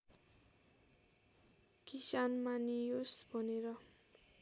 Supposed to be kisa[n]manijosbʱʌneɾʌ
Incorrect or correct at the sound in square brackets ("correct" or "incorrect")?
correct